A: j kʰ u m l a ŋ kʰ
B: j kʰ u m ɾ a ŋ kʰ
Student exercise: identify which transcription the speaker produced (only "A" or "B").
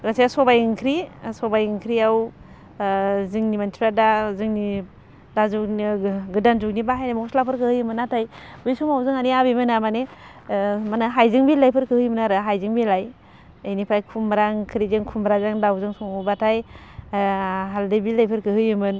B